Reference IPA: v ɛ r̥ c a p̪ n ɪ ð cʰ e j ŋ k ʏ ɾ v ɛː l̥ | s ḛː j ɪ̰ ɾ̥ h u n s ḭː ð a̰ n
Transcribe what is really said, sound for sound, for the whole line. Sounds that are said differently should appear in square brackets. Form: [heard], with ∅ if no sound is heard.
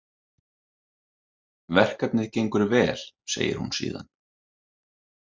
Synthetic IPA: v ɛ r̥ [k] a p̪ n ɪ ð [c] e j ŋ k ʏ ɾ v ɛː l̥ | s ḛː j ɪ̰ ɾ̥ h u n s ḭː ð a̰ n